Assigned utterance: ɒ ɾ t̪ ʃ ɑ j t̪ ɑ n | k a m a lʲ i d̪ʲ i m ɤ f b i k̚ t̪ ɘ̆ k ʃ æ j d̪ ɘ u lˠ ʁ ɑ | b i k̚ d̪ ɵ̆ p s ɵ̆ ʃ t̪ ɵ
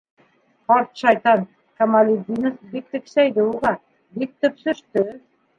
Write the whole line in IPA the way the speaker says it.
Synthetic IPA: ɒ ɾ t̪ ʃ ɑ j t̪ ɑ n | k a m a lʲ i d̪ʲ i n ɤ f b i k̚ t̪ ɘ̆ k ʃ æ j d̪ ɘ u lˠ ʁ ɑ | b i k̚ t̪ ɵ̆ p s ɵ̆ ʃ t̪ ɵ